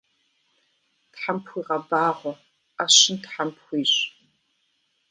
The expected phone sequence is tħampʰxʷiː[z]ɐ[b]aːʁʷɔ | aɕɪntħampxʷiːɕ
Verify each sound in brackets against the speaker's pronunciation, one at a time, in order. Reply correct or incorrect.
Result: incorrect: ʁ, correct

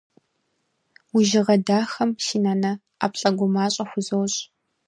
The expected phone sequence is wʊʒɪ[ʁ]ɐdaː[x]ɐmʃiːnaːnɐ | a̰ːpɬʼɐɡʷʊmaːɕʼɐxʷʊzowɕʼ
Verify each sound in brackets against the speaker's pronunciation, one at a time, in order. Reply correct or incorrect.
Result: correct, correct

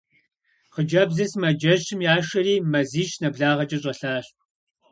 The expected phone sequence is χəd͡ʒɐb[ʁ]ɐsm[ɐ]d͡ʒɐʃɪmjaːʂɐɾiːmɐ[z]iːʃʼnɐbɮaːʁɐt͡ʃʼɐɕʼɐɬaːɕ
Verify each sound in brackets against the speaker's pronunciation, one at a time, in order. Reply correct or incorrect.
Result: incorrect: z, correct, correct

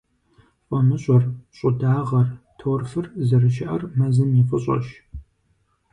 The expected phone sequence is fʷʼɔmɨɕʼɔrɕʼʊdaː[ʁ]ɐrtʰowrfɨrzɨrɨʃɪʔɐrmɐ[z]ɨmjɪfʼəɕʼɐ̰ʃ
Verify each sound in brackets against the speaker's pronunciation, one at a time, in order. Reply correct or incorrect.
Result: correct, correct

